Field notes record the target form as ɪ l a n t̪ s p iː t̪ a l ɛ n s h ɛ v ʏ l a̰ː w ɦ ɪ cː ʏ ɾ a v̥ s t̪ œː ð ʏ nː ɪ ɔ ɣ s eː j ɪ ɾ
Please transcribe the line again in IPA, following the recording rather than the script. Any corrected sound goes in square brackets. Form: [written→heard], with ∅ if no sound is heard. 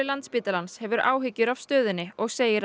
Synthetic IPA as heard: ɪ l a n t̪ s p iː t̪ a l [ɛ→a] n s h ɛ v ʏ [l→ɾ] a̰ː w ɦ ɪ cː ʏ ɾ a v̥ s t̪ œː ð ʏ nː ɪ ɔ ɣ s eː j ɪ ɾ